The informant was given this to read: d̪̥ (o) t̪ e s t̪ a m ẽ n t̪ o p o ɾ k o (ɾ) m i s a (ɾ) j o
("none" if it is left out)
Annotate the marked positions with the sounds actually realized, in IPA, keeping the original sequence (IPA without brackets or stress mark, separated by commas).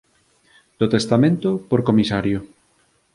o, none, ɾ